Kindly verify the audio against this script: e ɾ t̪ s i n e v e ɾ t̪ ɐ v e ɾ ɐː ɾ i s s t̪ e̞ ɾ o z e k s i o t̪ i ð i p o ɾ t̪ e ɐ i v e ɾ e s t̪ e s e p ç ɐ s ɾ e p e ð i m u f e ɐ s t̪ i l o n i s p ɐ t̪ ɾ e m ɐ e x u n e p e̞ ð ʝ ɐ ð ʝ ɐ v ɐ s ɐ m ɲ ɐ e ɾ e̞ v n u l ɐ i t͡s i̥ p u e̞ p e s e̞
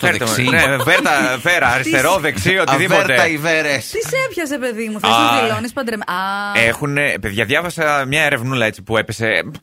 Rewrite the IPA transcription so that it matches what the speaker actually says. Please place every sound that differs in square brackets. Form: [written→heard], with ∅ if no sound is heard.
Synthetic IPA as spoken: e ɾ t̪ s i n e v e ɾ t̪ ɐ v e ɾ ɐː ɾ i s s t̪ e̞ ɾ o [z→ð] e k s i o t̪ i ð i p o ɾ t̪ e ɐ i v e ɾ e s t̪ [e→i] s e p ç ɐ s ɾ e p e ð i m u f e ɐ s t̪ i l o n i s p ɐ [t̪→d̪] ɾ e m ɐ e x u n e p e̞ ð ʝ ɐ ð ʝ ɐ v ɐ s ɐ m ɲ ɐ e ɾ e̞ v n u l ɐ [i→e] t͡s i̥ p u e̞ p e s e̞